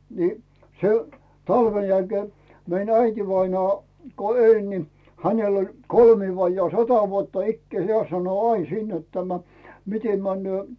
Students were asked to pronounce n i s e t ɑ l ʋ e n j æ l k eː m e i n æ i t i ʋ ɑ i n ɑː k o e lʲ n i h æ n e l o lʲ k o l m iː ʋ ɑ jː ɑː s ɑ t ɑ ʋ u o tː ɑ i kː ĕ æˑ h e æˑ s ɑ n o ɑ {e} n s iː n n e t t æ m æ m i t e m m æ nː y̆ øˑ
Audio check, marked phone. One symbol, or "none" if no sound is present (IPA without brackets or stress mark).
i